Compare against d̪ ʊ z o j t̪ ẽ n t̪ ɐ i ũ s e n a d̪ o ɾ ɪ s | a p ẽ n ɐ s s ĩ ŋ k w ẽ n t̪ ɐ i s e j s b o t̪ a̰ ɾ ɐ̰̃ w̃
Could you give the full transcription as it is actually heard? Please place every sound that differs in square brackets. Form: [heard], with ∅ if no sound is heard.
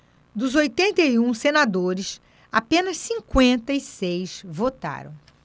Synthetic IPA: d̪ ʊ z o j t̪ ẽ n t̪ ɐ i ũ s e n a d̪ o ɾ ɪ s | a p ẽ n ɐ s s ĩ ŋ k w ẽ n t̪ ɐ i s e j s [v] o t̪ a̰ ɾ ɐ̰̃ w̃

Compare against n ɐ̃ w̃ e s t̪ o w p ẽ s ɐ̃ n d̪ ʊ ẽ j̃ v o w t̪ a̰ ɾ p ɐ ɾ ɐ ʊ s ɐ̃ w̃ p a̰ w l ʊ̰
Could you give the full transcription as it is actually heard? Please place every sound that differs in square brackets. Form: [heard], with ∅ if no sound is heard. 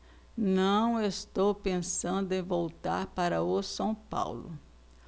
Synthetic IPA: n ɐ̃ w̃ e s t̪ o w p ẽ s ɐ̃ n d̪ ʊ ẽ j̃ v o w t̪ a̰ ɾ p [a] ɾ ɐ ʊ s ɐ̃ w̃ p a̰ w l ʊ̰

